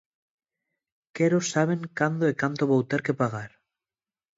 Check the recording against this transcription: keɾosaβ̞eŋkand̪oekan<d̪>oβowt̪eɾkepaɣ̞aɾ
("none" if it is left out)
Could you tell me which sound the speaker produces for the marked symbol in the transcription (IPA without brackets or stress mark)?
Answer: t̪